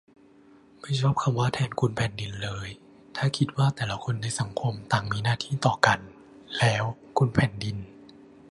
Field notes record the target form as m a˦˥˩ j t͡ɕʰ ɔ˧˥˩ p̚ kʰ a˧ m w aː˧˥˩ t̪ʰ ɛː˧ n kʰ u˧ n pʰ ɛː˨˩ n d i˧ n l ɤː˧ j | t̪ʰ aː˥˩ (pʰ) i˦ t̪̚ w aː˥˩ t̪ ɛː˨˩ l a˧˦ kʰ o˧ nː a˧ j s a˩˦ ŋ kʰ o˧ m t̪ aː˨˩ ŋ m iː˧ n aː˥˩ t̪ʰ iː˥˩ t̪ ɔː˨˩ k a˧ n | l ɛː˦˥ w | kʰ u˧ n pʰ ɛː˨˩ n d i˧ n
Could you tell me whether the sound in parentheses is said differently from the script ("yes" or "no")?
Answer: yes